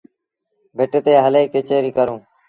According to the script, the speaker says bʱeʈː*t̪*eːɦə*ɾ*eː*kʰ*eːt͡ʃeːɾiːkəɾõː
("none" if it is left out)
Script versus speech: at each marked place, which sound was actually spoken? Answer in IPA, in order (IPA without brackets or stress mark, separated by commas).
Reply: t̪, l, k